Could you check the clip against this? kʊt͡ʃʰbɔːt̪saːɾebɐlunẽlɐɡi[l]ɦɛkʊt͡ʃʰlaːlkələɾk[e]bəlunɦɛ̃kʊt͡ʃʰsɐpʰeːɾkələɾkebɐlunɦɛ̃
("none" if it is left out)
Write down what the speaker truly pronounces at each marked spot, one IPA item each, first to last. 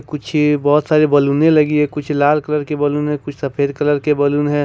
none, e

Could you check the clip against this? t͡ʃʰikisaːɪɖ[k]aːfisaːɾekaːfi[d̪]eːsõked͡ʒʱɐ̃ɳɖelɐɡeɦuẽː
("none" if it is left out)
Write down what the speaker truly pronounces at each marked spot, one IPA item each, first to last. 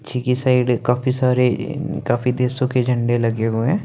k, d̪

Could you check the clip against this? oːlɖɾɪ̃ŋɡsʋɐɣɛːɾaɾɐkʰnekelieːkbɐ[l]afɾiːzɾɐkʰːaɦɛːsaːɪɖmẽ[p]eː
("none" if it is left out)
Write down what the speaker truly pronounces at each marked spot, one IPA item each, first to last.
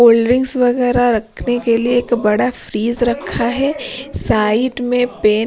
ɽ, p

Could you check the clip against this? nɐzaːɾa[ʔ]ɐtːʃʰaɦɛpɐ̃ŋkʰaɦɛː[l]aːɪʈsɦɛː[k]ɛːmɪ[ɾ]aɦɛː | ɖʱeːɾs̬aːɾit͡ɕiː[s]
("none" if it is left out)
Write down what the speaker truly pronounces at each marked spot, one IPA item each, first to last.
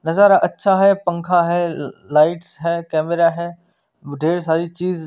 ʔ, l, k, ɾ, z

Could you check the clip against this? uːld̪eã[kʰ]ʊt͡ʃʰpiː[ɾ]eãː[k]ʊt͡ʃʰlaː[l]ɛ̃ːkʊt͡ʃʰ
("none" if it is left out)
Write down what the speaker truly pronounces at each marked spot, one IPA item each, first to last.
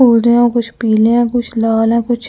k, l, k, l

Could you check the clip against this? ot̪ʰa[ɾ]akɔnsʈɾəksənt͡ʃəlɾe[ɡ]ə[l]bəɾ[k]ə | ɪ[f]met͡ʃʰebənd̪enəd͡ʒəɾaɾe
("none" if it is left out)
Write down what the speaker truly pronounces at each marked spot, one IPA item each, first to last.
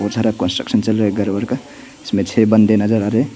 ɾ, ɡ, ɾ, k, s

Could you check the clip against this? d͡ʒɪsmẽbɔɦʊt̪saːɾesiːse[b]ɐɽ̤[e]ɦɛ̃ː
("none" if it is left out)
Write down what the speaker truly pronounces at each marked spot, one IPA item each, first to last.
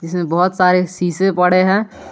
p, e

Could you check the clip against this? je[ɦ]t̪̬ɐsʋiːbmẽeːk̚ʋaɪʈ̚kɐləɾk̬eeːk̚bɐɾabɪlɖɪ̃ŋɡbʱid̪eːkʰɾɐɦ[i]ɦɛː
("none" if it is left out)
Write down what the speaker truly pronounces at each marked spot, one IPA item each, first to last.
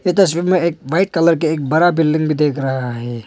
none, a

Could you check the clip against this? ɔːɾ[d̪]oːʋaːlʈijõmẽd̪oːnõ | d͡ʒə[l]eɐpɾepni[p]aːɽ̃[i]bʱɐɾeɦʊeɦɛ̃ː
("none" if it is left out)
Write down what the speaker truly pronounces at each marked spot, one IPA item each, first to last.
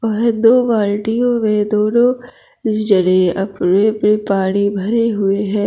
d̪, ɽ, p, i

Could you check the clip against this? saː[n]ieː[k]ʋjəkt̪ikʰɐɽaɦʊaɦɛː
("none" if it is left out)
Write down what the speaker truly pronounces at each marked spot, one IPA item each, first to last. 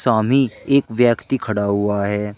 m, k

